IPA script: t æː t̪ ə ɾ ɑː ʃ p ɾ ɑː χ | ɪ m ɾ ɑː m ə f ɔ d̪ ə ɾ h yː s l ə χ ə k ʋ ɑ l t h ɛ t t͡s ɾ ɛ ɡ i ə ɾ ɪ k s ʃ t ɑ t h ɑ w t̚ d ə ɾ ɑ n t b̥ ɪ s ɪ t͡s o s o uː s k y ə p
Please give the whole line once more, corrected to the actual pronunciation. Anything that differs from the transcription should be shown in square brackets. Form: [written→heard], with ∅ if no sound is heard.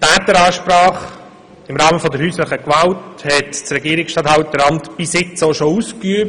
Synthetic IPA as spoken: t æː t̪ ə ɾ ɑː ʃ p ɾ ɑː χ | ɪ m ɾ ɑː m ə f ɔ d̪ ə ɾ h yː s l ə χ ə k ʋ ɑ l t h ɛ t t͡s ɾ ɛ ɡ i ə ɾ ɪ k s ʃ t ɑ t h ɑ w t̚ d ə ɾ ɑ n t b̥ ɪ s ɪ t͡s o [s→ʃ] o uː s k y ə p